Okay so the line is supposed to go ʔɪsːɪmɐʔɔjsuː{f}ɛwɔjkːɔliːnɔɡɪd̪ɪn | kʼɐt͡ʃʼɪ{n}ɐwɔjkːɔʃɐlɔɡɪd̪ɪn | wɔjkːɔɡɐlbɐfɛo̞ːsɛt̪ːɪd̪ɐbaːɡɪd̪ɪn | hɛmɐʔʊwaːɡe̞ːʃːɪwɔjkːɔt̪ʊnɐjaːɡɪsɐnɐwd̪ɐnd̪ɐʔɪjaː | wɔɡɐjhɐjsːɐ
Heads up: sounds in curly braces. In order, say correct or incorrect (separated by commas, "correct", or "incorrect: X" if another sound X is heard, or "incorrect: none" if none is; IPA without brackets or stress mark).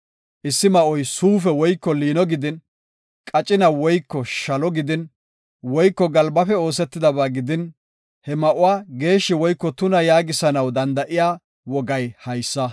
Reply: correct, correct